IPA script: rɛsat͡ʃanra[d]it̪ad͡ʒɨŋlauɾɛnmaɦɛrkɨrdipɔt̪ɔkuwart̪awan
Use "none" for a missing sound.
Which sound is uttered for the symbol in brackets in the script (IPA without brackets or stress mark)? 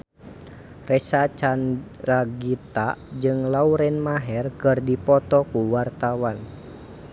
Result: ɡ